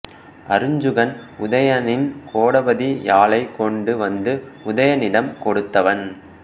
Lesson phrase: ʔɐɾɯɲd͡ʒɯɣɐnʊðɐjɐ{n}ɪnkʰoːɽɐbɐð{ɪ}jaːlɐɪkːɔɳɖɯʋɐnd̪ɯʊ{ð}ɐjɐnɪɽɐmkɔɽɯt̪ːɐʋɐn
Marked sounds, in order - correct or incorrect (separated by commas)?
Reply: correct, incorrect, correct